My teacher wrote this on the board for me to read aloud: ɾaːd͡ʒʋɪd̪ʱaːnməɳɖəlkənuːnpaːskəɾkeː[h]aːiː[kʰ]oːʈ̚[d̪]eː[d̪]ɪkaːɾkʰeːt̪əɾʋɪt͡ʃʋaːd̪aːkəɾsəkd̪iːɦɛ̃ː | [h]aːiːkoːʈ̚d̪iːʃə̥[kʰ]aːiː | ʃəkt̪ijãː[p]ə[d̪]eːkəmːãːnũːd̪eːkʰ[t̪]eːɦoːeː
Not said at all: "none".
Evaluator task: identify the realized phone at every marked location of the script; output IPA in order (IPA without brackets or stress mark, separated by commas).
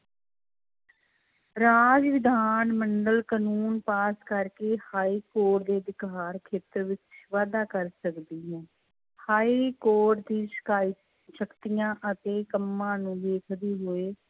h, k, d̪, d̪, h, k, ʔ, t̪, d̪